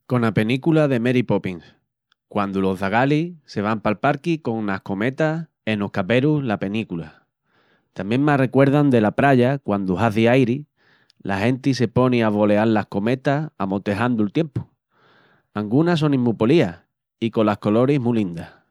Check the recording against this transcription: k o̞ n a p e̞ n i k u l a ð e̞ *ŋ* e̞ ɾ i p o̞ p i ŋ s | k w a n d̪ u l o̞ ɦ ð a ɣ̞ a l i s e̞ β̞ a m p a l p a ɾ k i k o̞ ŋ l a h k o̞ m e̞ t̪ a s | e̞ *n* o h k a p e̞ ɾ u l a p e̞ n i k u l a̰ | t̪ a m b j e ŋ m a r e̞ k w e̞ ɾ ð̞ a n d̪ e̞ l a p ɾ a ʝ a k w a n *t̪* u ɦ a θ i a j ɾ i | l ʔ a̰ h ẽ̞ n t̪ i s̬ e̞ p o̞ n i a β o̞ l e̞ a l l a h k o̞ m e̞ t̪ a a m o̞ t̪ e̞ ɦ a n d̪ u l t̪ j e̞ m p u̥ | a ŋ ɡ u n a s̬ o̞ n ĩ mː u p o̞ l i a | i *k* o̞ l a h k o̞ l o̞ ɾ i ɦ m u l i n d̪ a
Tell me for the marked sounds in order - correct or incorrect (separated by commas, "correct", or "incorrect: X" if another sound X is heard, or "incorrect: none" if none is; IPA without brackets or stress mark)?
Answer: incorrect: m, correct, incorrect: d̪, correct